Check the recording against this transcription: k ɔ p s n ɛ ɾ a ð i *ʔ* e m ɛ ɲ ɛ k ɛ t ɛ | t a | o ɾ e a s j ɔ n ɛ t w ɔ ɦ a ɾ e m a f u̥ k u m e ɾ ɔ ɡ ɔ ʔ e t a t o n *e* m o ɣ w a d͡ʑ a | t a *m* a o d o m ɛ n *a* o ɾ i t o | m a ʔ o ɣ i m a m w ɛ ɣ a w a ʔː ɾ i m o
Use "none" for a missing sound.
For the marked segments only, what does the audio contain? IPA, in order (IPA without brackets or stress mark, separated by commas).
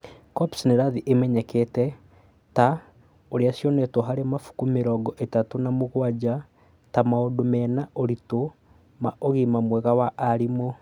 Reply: ʔ, a, m, a